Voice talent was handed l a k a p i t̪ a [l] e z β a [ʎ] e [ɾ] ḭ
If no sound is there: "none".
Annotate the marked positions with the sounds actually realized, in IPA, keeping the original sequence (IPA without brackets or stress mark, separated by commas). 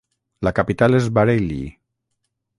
l, ɾ, l